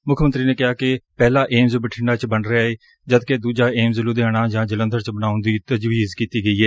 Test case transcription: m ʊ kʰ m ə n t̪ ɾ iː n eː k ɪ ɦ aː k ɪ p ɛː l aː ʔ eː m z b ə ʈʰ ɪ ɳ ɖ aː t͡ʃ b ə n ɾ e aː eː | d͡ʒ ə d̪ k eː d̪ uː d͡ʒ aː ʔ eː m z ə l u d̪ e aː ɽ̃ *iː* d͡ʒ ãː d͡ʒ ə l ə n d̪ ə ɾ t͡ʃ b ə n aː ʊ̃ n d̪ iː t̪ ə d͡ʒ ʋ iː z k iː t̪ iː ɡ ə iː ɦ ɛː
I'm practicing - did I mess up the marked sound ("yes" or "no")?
yes